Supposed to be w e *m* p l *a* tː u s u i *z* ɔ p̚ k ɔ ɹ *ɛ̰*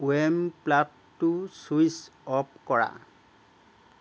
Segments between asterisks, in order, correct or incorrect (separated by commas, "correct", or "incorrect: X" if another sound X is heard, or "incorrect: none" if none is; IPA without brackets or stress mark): correct, correct, incorrect: s, incorrect: a̰